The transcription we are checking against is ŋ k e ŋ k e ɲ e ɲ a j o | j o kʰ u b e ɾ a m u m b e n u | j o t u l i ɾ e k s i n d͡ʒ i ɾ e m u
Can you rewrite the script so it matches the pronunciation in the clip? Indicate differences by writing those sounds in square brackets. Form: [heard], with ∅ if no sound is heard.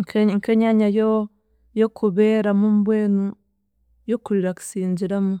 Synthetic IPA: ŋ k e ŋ k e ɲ [a] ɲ a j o | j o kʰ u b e ɾ a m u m b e n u | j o [k] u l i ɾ [a] k s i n d͡ʒ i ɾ [a] m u